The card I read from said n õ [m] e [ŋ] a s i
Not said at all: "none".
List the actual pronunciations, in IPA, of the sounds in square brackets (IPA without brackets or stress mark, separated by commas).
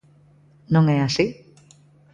ŋ, none